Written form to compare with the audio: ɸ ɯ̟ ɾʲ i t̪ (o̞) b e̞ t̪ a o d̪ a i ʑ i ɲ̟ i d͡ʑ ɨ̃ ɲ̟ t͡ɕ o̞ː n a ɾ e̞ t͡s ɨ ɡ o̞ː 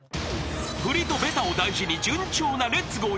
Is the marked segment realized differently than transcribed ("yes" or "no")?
no